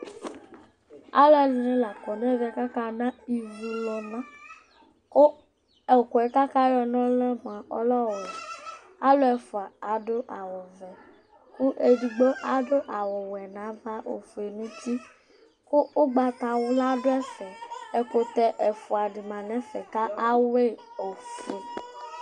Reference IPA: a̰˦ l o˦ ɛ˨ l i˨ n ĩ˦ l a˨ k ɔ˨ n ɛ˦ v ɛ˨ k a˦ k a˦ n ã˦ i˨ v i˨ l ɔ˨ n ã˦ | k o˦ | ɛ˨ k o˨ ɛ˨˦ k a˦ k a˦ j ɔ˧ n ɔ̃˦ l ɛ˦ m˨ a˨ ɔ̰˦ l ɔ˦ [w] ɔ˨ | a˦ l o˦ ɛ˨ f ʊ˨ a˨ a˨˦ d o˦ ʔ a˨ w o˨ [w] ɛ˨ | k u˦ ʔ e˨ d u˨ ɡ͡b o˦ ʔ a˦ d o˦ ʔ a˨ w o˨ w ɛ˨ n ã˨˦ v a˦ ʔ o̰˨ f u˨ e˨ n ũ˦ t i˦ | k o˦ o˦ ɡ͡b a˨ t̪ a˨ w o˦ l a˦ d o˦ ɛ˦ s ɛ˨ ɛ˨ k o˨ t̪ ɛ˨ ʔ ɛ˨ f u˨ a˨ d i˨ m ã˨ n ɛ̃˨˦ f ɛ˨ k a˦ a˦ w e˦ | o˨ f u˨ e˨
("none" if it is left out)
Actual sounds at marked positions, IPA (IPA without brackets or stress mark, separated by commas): w, v